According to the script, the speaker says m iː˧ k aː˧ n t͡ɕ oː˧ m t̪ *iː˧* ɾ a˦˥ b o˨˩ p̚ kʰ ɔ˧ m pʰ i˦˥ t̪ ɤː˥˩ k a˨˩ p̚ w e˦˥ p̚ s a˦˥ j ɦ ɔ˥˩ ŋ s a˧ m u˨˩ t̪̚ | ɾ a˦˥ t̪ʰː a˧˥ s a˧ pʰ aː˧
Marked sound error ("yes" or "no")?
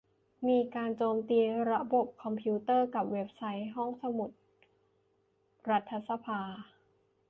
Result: no